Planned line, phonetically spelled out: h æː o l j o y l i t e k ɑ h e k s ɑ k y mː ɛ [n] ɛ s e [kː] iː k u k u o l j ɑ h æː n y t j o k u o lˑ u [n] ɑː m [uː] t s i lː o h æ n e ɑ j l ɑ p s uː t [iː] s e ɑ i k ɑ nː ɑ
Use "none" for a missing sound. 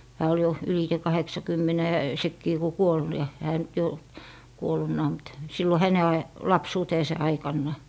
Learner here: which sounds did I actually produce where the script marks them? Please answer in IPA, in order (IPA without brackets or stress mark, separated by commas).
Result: n, kː, nː, u, eː